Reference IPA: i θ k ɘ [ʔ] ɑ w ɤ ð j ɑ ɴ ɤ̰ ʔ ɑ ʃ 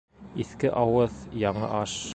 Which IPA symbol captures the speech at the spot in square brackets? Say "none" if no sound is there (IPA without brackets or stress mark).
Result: ʔ